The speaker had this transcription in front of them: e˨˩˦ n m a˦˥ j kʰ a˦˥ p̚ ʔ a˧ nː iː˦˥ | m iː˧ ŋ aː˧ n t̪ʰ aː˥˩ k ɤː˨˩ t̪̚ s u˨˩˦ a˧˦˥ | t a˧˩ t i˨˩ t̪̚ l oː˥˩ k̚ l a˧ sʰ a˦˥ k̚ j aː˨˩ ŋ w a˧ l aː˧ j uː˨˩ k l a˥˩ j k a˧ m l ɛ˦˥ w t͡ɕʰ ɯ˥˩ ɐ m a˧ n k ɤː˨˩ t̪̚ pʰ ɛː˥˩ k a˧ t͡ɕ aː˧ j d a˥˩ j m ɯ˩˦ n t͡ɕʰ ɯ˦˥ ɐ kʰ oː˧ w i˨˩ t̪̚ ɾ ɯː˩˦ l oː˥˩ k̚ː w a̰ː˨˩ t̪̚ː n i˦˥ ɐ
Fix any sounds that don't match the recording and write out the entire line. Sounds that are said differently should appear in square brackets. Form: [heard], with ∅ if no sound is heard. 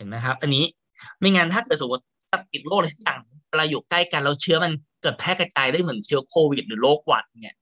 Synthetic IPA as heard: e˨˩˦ n m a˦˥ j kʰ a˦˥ p̚ ʔ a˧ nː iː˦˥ | m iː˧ ŋ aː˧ n t̪ʰ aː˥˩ k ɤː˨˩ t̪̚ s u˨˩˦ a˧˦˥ | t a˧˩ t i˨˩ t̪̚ l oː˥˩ k̚ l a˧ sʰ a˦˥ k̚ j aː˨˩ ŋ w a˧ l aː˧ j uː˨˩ k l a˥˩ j k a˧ [n] l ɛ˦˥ w t͡ɕʰ [ɯ˦˥] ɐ m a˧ n k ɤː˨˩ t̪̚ pʰ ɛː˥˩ k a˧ t͡ɕ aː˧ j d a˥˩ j m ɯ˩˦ n t͡ɕʰ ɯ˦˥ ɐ kʰ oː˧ w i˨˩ t̪̚ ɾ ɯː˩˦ l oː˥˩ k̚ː w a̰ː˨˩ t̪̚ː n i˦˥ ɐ